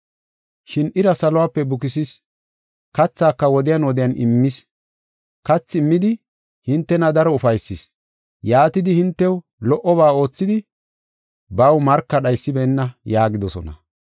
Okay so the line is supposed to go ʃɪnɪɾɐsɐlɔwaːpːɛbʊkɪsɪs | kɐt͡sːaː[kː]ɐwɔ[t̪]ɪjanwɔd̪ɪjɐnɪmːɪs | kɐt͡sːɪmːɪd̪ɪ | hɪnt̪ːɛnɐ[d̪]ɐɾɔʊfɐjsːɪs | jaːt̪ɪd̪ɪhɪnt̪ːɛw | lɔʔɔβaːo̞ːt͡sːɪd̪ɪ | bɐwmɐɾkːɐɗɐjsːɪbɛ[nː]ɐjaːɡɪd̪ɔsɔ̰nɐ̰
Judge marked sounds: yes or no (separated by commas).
yes, no, yes, yes